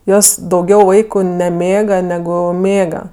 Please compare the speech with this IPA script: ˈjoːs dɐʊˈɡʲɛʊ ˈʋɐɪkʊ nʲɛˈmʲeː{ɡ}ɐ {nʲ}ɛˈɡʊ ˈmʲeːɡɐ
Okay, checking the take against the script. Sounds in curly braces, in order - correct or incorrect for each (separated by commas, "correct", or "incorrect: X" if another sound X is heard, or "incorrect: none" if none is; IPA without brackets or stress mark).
correct, correct